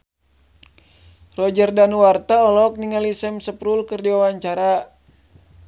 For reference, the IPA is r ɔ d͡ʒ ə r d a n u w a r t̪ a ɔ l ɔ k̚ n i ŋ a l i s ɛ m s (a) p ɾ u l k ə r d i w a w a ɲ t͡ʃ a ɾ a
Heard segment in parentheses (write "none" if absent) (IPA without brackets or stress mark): ə